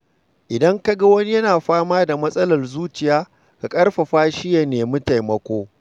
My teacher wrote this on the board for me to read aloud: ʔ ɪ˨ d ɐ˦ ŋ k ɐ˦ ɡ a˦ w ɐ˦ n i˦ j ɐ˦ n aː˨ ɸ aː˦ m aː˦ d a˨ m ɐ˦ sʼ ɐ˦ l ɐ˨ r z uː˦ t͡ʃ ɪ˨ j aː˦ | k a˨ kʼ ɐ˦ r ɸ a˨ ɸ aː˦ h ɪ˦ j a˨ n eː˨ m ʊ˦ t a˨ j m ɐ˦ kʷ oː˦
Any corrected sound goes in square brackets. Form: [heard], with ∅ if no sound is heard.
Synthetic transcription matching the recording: ʔ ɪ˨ d ɐ˦ ŋ k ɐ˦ ɡ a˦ w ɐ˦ n i˦ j ɐ˦ n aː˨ ɸ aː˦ m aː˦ d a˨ m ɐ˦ sʼ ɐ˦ l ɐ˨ r z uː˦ t͡ʃ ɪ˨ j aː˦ | k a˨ kʼ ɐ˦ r ɸ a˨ ɸ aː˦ [ʃ] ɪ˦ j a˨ n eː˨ m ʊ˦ t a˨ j m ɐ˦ kʷ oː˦

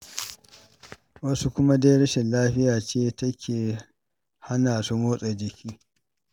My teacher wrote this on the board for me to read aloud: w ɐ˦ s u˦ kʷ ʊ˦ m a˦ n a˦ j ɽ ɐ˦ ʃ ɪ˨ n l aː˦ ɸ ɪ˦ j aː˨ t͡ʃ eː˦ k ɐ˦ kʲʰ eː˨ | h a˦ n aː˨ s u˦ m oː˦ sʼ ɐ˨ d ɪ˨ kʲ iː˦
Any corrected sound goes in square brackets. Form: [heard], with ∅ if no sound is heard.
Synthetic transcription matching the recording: w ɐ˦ s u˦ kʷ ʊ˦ m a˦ [d] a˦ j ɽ ɐ˦ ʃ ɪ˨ n l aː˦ ɸ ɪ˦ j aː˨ t͡ʃ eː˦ [t] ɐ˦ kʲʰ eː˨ | h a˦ n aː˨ s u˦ m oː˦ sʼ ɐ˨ [d͡ʒ] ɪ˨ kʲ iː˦

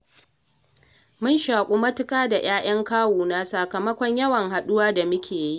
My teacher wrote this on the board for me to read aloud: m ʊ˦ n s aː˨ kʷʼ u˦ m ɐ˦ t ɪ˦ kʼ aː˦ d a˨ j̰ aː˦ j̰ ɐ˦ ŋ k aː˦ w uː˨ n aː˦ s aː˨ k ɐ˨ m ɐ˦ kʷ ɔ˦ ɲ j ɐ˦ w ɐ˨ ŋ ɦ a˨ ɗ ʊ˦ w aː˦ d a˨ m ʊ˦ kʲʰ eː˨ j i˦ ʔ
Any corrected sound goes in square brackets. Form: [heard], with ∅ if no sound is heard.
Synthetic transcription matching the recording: m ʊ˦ n [ʃ] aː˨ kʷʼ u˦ m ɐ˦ t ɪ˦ kʼ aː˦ d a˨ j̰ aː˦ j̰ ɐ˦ ŋ k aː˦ w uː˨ n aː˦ s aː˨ k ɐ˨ m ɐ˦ kʷ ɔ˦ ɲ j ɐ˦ w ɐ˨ ŋ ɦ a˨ ɗ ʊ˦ w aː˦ d a˨ m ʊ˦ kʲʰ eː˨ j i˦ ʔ

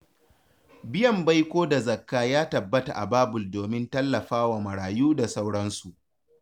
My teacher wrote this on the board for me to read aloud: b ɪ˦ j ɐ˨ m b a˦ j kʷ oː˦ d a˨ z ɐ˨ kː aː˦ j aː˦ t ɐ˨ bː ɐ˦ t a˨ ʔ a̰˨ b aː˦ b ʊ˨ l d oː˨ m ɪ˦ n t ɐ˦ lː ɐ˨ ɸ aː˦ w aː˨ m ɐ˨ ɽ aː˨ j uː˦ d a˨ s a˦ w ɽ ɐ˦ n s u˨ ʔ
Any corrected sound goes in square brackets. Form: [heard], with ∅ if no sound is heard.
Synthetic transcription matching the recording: b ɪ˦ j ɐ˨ m b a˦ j kʷ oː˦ d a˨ z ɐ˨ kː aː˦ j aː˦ t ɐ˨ bː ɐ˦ t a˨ ʔ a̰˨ b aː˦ b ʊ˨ l d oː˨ m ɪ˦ n t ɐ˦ lː ɐ˨ ɸ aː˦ w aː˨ m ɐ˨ ɽ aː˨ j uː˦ d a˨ s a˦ w ɽ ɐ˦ n s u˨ ʔ

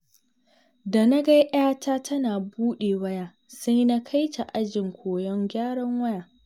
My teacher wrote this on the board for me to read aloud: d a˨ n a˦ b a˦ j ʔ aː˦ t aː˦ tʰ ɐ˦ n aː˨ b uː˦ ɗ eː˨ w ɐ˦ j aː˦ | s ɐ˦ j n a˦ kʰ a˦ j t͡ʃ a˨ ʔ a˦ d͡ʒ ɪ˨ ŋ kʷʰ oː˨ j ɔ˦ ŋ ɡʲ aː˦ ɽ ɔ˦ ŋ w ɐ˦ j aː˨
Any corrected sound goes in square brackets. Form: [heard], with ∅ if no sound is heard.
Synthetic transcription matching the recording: d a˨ n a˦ [ɡ] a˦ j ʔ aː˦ t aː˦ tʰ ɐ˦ n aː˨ b uː˦ ɗ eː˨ w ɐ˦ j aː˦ | s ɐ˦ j n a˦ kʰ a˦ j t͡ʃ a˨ ʔ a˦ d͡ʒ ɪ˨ ŋ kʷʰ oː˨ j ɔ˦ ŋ ɡʲ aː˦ ɽ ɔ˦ ŋ w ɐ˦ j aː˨

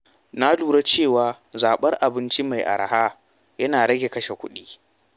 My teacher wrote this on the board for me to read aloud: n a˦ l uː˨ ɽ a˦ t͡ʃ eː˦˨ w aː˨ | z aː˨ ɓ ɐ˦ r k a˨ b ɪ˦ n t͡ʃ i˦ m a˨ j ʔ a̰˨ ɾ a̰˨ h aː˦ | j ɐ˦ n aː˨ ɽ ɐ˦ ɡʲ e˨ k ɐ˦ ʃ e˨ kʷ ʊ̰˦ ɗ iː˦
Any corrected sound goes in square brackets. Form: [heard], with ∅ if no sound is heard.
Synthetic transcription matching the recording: n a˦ l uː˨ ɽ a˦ t͡ʃ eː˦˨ w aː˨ | z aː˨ ɓ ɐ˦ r [ʔ] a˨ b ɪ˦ n t͡ʃ i˦ m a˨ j ʔ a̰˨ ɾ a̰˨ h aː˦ | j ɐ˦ n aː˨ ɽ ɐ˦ ɡʲ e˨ k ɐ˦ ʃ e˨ kʷ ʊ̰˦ ɗ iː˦

